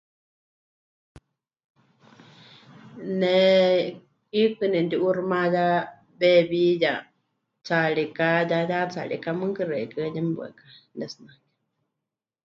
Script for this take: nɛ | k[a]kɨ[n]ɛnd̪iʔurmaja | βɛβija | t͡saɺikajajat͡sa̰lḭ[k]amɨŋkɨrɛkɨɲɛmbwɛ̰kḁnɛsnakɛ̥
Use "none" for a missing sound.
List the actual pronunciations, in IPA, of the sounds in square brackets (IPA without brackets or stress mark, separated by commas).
i, n, k